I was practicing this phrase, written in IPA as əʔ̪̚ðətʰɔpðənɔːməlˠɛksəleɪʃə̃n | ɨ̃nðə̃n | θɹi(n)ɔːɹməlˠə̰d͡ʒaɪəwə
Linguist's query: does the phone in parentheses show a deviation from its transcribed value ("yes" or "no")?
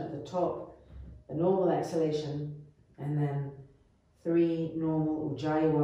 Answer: no